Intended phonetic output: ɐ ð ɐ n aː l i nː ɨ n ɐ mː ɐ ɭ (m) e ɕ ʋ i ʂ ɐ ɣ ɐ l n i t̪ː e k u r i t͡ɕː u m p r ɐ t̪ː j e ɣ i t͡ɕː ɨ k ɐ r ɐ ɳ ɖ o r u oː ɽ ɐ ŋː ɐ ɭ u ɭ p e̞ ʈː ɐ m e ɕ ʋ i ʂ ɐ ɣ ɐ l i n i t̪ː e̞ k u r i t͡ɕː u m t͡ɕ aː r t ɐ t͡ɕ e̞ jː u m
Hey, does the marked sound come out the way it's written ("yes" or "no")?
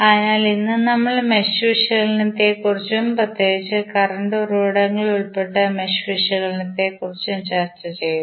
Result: yes